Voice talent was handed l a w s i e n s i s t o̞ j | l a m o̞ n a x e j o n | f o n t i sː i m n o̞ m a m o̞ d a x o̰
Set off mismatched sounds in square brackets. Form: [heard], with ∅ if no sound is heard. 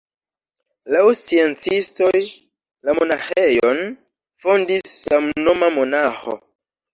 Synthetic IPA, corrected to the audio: l a w s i e n [t͡s] i s t o̞ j | l a m o̞ n a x e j o n | f o n [d] i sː [a] m n o̞ m a m o̞ [n] a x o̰